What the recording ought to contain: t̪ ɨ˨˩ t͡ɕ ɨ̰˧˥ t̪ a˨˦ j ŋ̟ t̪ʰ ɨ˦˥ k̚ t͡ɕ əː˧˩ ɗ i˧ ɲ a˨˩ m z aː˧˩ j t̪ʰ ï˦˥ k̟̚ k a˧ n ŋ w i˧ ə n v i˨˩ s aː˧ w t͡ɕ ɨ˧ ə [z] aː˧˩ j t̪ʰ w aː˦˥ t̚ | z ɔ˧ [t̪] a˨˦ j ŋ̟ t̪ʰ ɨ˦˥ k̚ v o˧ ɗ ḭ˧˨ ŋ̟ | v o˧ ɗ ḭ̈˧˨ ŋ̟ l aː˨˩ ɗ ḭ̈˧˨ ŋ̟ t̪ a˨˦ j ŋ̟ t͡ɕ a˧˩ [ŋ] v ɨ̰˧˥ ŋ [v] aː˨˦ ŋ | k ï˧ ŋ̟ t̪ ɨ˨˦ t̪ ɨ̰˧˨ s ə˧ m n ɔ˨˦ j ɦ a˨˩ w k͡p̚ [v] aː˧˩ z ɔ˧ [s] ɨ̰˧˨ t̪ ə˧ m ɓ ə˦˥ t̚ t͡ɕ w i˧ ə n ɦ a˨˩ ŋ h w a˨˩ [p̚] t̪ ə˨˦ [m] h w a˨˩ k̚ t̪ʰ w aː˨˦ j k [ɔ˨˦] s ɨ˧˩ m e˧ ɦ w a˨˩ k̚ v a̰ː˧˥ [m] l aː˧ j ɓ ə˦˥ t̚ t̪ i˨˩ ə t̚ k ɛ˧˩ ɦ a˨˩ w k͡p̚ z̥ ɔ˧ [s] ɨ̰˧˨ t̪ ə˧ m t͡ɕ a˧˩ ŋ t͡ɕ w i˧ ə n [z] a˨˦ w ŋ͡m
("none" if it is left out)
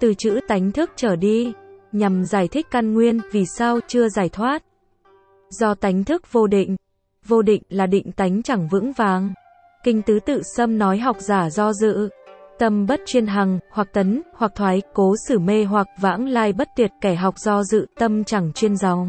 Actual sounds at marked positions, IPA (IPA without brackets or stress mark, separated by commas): z, t̪, ŋ, v, z, z, k̚, n, o˨˦, ŋ, z, z